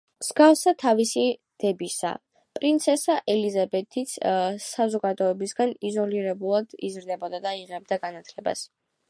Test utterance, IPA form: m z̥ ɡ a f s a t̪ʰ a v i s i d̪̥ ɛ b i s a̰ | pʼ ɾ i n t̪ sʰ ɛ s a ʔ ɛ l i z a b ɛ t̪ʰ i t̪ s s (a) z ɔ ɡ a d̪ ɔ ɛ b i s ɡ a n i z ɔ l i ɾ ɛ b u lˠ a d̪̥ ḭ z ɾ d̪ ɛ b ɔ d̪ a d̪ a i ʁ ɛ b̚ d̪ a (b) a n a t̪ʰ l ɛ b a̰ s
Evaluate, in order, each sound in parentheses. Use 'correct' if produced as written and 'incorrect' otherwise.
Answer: correct, incorrect: ɡ

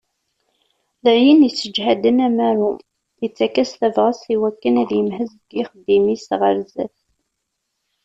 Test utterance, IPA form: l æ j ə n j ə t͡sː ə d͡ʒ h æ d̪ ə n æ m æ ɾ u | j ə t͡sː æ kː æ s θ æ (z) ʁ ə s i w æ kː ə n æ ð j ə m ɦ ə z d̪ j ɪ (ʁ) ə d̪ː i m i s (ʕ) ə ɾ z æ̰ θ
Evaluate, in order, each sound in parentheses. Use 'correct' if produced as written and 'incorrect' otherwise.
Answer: incorrect: v, incorrect: χ, incorrect: ʁ

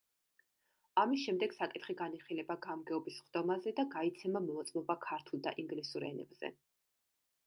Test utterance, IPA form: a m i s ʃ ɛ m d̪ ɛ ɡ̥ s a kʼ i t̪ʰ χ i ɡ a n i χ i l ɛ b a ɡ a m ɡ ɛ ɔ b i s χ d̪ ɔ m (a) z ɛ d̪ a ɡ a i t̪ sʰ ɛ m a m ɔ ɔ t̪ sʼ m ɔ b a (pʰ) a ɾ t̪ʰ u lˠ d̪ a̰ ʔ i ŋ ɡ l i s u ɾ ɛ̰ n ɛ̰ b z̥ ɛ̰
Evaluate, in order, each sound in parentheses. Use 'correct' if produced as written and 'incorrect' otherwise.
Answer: correct, incorrect: kʰ

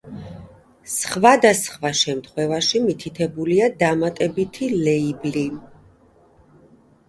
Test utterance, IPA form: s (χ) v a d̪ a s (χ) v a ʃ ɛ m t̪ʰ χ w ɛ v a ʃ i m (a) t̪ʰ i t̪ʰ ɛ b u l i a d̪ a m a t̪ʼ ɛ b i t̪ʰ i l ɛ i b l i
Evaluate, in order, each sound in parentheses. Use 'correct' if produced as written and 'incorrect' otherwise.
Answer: correct, correct, incorrect: i

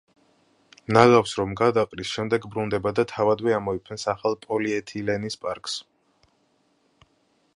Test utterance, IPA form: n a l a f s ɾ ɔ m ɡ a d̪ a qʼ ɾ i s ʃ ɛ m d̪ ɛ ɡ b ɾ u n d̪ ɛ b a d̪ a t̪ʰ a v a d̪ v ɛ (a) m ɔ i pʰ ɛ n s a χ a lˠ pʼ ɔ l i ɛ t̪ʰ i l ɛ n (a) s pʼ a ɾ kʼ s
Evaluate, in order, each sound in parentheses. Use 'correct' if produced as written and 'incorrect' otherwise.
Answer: correct, incorrect: i

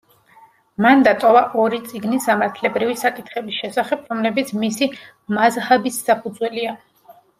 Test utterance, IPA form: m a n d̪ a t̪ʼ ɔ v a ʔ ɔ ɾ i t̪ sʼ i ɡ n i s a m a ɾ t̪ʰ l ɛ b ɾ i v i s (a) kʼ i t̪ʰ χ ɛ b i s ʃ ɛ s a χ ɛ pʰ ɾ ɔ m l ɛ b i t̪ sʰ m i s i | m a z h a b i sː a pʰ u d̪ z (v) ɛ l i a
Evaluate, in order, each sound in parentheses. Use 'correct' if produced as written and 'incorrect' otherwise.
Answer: correct, incorrect: w

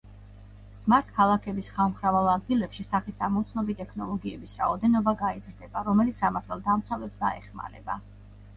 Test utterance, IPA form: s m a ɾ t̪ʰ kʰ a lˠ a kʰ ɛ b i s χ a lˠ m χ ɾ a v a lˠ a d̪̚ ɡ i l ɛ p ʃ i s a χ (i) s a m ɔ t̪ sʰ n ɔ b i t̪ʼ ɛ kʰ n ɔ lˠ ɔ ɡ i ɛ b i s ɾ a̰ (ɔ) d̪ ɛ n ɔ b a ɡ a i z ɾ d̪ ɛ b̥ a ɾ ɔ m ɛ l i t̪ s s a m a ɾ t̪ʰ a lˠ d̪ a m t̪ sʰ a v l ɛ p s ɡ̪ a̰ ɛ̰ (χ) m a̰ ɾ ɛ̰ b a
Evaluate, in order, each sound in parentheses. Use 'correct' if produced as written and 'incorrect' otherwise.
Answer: correct, correct, correct

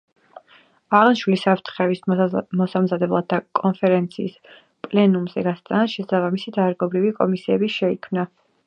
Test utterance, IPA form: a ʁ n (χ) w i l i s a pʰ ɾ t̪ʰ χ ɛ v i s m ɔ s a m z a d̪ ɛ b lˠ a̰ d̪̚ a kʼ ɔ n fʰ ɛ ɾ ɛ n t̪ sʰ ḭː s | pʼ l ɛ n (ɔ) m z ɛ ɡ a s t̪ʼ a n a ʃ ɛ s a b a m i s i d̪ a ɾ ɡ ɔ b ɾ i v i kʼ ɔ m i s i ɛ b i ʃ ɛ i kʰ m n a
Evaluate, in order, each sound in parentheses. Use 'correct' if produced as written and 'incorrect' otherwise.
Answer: incorrect: ʃ, incorrect: u

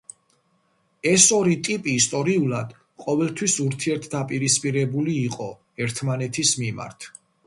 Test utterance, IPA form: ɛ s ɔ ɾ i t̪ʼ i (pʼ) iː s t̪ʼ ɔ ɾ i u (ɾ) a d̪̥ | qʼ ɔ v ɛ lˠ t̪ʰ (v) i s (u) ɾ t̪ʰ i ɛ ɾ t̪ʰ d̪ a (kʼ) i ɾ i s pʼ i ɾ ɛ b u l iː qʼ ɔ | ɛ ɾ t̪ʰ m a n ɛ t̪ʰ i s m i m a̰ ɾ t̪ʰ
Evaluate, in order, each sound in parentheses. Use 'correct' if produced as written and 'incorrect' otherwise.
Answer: correct, incorrect: l, incorrect: w, correct, incorrect: pʼ

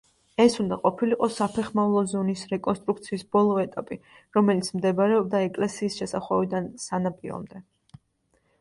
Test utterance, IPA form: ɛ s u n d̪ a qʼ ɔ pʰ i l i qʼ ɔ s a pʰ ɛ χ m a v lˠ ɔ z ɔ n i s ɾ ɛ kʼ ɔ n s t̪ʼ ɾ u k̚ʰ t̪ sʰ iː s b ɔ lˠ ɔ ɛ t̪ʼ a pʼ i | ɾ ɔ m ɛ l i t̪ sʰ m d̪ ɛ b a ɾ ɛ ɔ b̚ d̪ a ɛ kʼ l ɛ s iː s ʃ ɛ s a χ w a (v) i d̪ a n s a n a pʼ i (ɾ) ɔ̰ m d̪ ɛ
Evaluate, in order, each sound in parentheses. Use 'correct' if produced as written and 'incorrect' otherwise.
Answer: correct, correct

